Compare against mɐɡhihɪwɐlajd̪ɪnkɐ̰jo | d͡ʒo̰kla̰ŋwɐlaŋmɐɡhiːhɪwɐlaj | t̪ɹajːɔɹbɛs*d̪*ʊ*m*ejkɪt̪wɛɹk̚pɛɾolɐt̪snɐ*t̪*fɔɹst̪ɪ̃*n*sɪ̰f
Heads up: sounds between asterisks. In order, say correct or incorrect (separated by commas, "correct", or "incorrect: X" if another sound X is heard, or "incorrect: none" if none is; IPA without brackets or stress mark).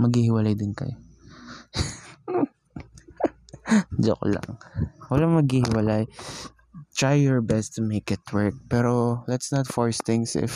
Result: incorrect: t̪, correct, correct, incorrect: ŋ